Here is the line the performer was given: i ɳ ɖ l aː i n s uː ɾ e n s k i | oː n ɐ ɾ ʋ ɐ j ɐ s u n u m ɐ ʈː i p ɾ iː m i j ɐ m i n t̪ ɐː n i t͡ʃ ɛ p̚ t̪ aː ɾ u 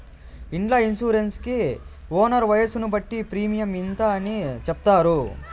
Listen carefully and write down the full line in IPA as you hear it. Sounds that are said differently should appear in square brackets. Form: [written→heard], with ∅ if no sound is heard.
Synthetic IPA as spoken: i ɳ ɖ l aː i n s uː ɾ e n s k i | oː n ɐ ɾ ʋ ɐ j ɐ s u n u [m→b] ɐ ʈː i p ɾ iː m i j ɐ m i n t̪ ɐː n i t͡ʃ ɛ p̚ t̪ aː ɾ u